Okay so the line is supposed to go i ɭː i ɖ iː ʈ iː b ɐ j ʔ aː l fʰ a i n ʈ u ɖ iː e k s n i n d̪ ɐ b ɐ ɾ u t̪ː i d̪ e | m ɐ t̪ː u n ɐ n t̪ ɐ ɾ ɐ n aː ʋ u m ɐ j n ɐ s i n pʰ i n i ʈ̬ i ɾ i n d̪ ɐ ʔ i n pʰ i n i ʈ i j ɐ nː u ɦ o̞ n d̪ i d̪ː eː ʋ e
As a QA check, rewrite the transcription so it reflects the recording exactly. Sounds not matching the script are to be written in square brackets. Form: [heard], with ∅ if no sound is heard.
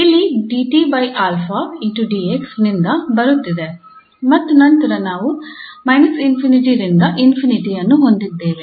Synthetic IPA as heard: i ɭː i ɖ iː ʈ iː b ɐ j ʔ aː l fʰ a i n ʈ u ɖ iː e k s n i n d̪ ɐ b ɐ ɾ u t̪ː i d̪ e | m ɐ t̪ː u n ɐ n t̪ ɐ ɾ ɐ n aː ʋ u m ɐ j n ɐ s i n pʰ i n i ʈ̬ i ɾ i n d̪ ɐ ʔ i n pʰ i n i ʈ i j ɐ nː u ɦ o̞ n d̪ i d̪ː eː ʋ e

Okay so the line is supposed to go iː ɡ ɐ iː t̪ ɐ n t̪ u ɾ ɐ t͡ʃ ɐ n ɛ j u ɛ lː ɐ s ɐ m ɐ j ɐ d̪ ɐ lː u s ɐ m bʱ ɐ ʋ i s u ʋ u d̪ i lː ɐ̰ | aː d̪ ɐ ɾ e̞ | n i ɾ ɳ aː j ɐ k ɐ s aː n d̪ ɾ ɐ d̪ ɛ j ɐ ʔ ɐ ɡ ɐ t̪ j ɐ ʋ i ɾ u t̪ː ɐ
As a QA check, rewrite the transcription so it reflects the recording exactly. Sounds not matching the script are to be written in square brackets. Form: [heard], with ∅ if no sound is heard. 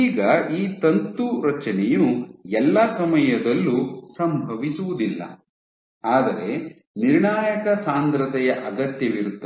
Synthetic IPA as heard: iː ɡ ɐ iː t̪ ɐ n t̪ u ɾ ɐ t͡ʃ ɐ n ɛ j u ɛ lː ɐ s ɐ m ɐ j ɐ d̪ ɐ lː u s ɐ m bʱ ɐ ʋ i s u ʋ u d̪ i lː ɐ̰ | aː d̪ ɐ ɾ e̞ | n i ɾ ɳ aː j ɐ k ɐ s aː n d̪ ɾ ɐ [t̪] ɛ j ɐ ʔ ɐ ɡ ɐ t̪ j ɐ ʋ i ɾ u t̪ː ɐ

